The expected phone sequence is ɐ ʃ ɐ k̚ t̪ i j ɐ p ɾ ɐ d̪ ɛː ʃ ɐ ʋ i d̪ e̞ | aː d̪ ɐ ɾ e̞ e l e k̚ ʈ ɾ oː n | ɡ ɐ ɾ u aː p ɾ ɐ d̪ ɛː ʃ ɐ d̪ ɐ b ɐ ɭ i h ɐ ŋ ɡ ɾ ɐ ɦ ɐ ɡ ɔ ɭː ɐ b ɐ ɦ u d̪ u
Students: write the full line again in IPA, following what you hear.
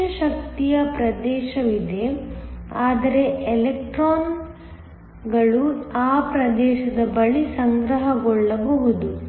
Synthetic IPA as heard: ɐ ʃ ɐ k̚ t̪ i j ɐ p ɾ ɐ d̪ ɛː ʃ ɐ ʋ i d̪ e̞ | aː d̪ ɐ ɾ e̞ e l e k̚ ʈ ɾ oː n | ɡ ɐ ɭ u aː p ɾ ɐ d̪ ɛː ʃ ɐ d̪ ɐ b ɐ ɭ i s ɐ ŋ ɡ ɾ ɐ ɦ ɐ ɡ ɔ ɭː ɐ b ɐ ɦ u d̪ u